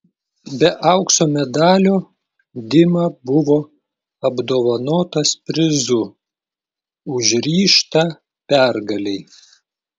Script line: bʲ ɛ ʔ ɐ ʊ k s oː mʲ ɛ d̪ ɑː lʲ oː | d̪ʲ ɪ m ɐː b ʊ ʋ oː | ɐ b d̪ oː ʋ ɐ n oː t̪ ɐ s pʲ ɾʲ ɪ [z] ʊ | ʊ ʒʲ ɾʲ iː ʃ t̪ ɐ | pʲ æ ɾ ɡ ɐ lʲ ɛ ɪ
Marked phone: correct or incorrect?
correct